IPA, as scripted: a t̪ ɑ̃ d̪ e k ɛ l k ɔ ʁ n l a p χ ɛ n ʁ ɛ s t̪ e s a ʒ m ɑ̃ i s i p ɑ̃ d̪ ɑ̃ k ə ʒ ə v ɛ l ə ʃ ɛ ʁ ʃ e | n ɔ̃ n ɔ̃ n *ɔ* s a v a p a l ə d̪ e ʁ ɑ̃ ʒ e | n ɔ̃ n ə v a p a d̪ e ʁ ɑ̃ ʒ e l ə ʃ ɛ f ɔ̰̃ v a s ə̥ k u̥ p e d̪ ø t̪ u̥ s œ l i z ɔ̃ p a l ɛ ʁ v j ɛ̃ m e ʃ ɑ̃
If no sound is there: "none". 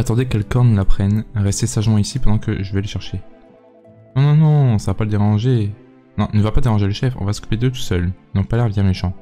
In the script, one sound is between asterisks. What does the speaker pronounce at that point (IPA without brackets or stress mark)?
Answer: ɔ̃